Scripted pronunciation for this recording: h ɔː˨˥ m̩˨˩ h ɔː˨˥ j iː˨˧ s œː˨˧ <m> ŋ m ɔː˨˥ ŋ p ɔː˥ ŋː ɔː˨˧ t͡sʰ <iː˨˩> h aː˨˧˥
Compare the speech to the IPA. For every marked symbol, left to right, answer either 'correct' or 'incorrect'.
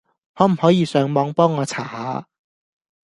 incorrect, incorrect

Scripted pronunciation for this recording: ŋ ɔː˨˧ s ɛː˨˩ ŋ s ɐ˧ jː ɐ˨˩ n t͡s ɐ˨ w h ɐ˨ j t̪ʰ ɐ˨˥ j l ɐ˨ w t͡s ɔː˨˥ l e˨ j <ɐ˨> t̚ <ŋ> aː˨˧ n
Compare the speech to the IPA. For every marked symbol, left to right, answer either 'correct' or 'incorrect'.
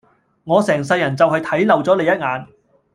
incorrect, correct

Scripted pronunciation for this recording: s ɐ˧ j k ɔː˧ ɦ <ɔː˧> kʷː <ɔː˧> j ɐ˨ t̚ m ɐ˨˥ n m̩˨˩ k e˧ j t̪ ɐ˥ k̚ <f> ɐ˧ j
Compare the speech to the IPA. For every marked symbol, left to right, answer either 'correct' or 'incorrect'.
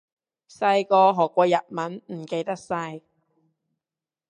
incorrect, correct, incorrect

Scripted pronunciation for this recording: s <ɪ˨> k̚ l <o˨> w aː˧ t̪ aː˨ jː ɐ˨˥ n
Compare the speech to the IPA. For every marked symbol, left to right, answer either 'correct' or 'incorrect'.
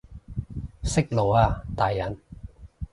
incorrect, correct

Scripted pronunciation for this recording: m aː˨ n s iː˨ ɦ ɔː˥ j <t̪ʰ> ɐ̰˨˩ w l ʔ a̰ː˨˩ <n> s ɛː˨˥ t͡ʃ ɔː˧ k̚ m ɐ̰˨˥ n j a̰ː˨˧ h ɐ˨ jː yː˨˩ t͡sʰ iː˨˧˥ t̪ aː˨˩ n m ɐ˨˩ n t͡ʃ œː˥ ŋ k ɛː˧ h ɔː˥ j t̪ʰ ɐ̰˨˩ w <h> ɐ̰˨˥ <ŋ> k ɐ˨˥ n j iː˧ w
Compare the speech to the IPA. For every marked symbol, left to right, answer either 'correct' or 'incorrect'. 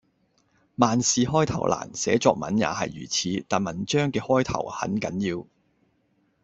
correct, correct, correct, incorrect

